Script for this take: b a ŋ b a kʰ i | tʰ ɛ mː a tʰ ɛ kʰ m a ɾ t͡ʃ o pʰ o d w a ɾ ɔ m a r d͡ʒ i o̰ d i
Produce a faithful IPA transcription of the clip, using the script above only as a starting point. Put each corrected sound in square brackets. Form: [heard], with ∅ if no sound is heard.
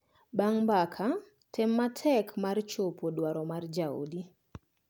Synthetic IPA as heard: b a ŋ b a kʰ [a] | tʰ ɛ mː a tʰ ɛ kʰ m a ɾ t͡ʃ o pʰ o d w a ɾ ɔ m a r d͡ʒ [a] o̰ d i